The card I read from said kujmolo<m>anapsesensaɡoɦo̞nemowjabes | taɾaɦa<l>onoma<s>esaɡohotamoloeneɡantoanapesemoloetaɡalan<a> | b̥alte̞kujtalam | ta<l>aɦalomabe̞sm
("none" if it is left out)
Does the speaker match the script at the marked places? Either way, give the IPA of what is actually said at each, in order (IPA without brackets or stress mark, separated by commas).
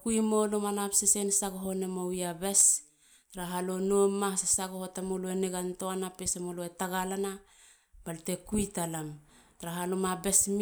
m, l, s, a, ɾ